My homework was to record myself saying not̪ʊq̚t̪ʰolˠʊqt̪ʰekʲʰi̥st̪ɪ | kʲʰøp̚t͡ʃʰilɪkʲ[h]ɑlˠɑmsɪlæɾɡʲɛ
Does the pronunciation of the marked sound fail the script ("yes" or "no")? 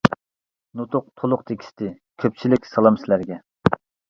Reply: yes